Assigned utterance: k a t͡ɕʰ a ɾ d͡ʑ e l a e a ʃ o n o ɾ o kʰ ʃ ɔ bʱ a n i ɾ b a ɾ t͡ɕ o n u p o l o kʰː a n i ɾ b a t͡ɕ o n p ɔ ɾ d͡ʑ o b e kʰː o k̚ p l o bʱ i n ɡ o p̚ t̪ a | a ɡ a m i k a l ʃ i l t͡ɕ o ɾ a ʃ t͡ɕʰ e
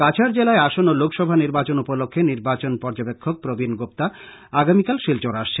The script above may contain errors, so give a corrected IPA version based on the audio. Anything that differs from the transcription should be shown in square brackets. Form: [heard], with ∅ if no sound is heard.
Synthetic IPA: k a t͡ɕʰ a ɾ d͡ʑ e l a e a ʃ o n o [l] o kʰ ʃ ɔ bʱ a n i ɾ b a [∅] t͡ɕ o n u p o l o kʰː [e] n i ɾ b a t͡ɕ o n p ɔ ɾ d͡ʑ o b e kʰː o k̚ p [ɾ] o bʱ i n ɡ o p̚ t̪ a | a ɡ a m i k a l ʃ i l t͡ɕ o ɾ a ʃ t͡ɕʰ e